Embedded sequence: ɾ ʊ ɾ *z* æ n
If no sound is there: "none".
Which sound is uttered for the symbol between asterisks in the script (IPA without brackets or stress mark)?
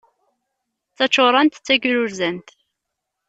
z